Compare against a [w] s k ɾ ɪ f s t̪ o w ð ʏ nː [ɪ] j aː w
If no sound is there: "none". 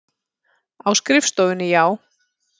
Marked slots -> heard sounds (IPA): w, ɪ

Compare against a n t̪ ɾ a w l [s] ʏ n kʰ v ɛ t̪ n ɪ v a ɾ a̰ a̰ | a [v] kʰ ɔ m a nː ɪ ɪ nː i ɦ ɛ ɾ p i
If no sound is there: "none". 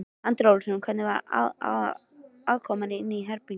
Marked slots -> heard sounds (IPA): s, ð

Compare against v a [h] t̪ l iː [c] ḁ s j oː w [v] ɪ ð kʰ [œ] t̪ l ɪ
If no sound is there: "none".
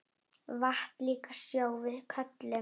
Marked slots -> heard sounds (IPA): h, k, v, œ

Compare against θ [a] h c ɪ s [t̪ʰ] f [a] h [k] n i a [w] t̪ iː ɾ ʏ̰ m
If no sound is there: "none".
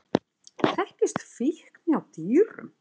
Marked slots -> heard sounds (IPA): ɛ, t̪, i, k, w

